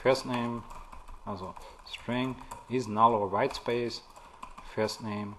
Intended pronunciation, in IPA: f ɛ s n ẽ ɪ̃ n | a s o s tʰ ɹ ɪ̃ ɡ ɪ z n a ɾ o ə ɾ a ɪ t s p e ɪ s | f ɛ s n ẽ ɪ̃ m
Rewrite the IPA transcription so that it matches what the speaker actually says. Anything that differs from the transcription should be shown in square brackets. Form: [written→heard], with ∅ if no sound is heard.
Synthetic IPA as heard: f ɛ s n ẽ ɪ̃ [n→m] | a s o s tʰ ɹ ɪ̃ [ɡ→ŋ] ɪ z n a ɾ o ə [ɾ→ɹ] a ɪ t s p e ɪ s | f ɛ s n ẽ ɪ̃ m